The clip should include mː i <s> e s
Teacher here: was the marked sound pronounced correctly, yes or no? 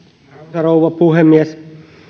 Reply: no